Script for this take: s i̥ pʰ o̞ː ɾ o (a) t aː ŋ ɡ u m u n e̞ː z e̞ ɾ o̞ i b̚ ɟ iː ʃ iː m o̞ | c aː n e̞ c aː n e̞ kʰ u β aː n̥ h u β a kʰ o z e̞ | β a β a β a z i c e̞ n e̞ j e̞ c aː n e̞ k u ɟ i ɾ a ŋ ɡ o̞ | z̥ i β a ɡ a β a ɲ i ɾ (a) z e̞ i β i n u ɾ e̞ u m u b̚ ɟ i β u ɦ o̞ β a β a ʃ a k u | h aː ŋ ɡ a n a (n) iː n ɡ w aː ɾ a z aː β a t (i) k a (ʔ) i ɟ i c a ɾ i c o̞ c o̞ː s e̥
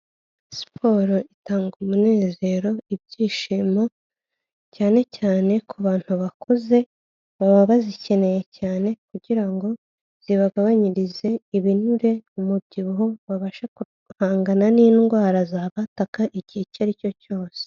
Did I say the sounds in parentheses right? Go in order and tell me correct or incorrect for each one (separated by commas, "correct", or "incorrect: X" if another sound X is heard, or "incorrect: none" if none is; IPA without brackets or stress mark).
incorrect: i, incorrect: i, correct, incorrect: a, correct